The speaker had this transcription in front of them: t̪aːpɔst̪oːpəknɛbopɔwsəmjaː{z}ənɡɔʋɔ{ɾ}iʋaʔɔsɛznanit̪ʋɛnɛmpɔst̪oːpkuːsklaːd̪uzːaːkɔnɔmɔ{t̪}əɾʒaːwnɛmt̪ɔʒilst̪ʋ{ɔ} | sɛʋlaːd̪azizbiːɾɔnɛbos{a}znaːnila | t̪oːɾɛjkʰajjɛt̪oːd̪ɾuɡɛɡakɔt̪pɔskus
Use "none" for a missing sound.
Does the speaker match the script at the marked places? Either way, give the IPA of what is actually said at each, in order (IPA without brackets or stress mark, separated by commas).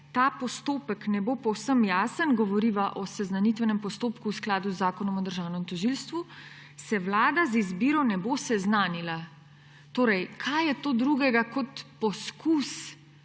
s, ɾ, d̪, u, ɛ